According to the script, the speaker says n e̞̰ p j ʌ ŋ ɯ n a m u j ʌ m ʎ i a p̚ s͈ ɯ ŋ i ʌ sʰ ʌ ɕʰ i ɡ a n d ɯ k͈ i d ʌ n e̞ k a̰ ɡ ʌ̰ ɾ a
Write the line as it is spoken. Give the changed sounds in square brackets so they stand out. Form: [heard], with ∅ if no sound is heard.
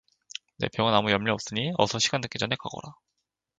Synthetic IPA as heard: n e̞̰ p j ʌ ŋ ɯ n a m u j ʌ m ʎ i [ʌ] p̚ s͈ ɯ [ɲ] i ʌ sʰ ʌ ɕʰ i ɡ a n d ɯ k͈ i [d͡ʑ] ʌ n e̞ k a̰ ɡ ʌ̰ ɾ a